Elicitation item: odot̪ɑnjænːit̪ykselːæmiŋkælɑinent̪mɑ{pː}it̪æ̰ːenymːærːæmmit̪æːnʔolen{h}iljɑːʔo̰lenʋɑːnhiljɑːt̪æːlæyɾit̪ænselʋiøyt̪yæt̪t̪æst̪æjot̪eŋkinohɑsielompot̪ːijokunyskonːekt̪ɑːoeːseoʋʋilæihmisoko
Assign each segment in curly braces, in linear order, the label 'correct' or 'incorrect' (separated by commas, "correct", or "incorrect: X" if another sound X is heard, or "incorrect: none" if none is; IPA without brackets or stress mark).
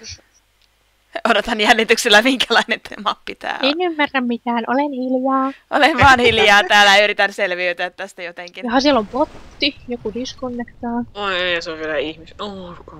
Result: correct, correct